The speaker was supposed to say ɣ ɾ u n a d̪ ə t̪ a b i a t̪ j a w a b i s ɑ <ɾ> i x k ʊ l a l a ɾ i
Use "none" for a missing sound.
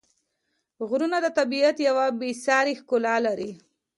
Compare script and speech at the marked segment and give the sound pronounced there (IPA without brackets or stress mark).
ɾ